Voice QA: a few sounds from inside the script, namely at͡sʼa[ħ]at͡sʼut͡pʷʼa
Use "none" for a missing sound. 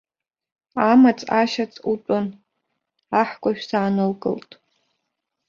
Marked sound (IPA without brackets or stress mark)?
ʃ